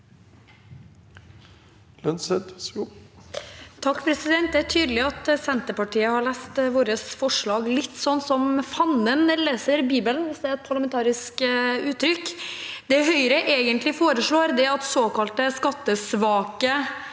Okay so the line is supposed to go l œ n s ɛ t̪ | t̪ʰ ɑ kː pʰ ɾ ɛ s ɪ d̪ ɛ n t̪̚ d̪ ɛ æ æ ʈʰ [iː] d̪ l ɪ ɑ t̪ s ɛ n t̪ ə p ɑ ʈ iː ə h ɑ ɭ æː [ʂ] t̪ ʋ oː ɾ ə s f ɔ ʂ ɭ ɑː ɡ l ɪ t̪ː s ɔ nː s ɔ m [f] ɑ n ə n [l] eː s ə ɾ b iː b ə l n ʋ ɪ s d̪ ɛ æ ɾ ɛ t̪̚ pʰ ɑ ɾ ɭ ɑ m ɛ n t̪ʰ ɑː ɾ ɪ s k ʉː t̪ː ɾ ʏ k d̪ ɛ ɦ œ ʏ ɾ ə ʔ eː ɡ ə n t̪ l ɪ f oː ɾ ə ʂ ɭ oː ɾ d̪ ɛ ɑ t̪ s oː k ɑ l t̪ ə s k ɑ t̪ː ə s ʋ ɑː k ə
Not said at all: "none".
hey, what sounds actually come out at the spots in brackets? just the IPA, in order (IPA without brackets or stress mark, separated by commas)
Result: yː, s, f, l